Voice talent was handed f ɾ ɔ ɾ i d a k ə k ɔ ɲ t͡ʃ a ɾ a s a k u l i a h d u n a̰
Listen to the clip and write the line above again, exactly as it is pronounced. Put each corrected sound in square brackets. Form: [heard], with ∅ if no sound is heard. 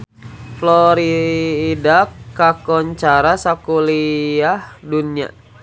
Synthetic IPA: f [l] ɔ ɾ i d a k [a] k ɔ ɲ t͡ʃ a ɾ a s a k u l i a h d u n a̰